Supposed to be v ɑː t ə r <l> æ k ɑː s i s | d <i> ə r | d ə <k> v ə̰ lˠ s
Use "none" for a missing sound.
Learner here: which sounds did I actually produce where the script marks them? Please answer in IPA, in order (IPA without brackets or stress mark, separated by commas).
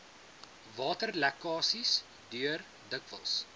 l, y, k